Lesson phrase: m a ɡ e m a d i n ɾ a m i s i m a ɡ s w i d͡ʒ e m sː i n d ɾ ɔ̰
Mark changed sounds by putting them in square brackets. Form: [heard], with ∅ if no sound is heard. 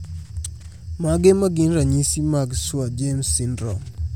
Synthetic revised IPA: m a ɡ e m a [ɡ] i n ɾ a [ɲ] i s i m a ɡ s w [a] d͡ʒ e m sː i n d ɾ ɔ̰